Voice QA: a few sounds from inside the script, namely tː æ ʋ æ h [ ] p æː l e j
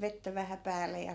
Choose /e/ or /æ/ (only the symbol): æ